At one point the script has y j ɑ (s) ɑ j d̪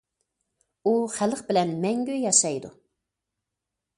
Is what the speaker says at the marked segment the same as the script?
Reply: no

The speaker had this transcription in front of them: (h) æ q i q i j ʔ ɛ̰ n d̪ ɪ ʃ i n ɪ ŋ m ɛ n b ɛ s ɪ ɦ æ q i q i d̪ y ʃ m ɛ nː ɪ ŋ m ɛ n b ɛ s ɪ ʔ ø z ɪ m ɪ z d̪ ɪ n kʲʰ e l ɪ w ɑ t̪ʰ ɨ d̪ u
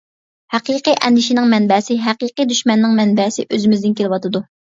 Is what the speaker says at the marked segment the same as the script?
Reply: yes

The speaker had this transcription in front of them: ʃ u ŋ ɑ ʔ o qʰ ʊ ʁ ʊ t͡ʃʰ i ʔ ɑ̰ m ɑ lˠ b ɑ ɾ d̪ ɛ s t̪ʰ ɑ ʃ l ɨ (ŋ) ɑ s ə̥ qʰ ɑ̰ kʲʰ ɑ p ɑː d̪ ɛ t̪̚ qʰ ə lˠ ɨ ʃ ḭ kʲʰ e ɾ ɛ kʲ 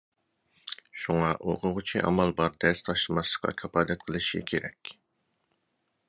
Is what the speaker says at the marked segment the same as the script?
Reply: no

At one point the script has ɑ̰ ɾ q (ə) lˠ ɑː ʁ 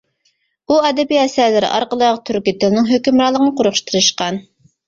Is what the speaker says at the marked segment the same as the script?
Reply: yes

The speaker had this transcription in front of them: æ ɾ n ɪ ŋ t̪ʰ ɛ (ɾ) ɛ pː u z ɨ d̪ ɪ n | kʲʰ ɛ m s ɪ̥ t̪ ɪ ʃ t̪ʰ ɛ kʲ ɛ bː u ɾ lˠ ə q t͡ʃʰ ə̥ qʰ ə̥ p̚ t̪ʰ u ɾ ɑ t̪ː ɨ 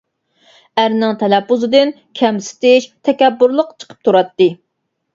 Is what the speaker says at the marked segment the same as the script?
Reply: no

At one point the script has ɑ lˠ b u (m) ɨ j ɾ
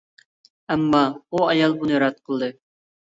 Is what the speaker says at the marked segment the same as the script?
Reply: no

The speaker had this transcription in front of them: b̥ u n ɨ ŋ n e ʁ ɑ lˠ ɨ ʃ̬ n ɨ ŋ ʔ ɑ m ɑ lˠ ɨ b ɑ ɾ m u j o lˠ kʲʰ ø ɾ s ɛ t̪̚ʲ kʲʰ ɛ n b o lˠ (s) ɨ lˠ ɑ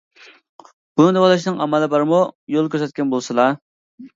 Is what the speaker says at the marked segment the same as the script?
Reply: yes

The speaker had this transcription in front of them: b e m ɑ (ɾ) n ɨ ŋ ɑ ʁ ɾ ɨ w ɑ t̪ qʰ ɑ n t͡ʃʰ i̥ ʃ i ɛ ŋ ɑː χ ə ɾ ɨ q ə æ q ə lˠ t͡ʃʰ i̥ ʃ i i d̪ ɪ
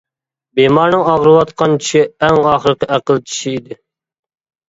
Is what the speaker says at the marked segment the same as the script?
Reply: yes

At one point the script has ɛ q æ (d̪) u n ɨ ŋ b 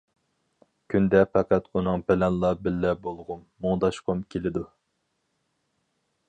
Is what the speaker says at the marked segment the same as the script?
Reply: no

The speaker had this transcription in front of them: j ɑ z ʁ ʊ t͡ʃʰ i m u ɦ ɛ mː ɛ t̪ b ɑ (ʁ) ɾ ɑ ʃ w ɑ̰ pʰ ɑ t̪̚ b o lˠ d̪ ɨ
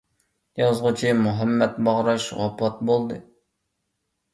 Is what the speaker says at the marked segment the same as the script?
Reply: yes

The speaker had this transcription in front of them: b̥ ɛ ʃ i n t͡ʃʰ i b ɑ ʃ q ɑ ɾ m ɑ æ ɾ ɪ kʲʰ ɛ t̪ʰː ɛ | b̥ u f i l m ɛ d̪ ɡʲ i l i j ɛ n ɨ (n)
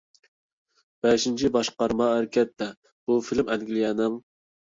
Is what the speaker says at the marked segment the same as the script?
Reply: no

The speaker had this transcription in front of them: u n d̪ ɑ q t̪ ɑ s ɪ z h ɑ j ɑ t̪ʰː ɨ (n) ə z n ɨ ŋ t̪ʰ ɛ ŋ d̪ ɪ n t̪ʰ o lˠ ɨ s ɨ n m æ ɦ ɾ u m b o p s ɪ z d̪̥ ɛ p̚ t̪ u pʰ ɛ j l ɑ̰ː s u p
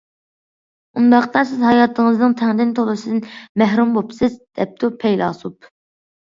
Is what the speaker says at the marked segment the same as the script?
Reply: no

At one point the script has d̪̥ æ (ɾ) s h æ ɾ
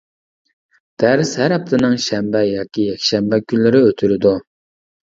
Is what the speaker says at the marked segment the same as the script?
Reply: yes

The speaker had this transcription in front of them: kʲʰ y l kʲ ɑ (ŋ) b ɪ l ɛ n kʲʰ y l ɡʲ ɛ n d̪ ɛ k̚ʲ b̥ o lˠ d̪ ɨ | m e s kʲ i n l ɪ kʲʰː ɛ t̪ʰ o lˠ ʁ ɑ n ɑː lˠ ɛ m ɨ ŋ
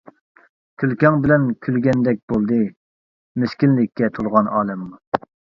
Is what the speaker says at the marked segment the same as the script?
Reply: yes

